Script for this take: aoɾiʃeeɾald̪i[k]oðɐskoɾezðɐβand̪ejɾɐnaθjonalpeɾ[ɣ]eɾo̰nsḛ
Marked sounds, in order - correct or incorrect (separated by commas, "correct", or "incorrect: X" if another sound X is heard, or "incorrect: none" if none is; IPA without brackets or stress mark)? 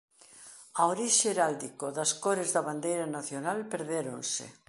correct, incorrect: ð